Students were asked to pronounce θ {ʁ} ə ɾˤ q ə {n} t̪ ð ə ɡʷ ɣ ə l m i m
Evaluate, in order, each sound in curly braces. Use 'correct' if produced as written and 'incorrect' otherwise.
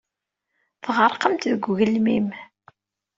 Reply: correct, incorrect

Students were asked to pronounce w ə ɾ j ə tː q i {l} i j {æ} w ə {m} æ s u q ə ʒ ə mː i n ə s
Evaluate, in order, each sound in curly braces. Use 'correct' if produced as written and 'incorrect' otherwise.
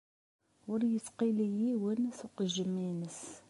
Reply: correct, incorrect, incorrect

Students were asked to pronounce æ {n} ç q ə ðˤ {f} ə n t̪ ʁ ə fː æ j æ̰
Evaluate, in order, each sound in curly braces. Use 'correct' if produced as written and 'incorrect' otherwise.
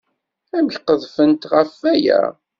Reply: incorrect, correct

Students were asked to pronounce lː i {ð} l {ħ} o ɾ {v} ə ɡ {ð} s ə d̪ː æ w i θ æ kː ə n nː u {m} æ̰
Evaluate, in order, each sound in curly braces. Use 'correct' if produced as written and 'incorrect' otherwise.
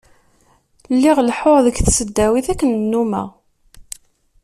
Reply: incorrect, correct, incorrect, incorrect, correct

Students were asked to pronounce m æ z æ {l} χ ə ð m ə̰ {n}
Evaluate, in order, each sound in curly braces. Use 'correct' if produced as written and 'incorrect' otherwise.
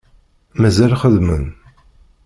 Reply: correct, correct

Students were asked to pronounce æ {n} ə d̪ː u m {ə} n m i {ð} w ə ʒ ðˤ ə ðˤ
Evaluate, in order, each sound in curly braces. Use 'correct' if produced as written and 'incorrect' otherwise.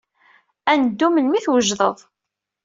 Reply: correct, correct, incorrect

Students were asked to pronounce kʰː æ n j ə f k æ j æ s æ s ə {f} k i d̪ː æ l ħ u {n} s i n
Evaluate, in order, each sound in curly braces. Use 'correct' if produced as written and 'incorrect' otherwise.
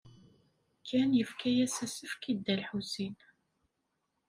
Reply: correct, incorrect

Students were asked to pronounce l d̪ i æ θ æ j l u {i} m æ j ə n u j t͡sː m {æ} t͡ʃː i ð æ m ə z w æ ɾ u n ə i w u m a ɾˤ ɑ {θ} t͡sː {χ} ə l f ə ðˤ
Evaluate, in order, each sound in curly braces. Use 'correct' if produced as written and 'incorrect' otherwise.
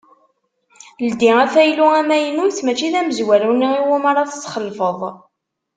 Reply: incorrect, correct, correct, correct

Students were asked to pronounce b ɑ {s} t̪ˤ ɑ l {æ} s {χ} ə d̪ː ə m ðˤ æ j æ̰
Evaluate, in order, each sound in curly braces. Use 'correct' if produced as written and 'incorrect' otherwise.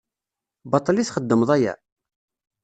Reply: incorrect, incorrect, correct

